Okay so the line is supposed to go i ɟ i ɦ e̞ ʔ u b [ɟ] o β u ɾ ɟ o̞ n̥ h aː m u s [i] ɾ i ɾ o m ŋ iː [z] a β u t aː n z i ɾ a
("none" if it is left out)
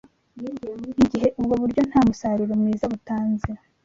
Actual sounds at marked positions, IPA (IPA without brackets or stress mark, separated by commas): ɡ, a, z